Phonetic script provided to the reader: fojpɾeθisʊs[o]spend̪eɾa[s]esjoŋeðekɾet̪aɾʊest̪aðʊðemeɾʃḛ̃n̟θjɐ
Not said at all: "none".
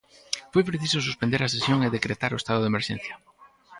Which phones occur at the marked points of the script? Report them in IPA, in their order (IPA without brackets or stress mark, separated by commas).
u, s